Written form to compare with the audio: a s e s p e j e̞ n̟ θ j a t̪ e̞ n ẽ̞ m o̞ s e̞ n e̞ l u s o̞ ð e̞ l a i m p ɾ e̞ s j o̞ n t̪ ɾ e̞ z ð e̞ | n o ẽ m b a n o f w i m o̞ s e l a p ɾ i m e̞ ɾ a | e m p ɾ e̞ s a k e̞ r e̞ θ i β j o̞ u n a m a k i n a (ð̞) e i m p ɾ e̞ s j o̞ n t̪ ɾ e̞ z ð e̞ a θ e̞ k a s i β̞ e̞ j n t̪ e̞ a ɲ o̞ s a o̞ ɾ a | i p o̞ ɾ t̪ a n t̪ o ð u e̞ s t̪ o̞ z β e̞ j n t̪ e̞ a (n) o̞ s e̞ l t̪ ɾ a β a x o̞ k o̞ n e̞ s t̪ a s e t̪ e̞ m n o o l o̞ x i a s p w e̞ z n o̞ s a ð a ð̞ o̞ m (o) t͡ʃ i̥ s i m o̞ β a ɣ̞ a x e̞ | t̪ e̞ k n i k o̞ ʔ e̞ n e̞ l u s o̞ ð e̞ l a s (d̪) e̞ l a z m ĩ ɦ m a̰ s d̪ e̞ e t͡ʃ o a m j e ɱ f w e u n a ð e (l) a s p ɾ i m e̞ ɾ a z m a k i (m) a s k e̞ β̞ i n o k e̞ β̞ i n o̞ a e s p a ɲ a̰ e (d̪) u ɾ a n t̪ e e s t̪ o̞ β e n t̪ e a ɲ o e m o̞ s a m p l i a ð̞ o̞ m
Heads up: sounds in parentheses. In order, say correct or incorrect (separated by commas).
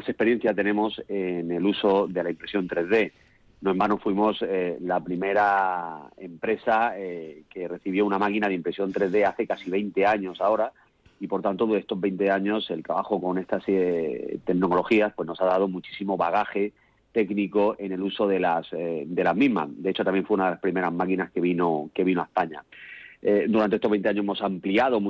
correct, incorrect, incorrect, correct, correct, incorrect, correct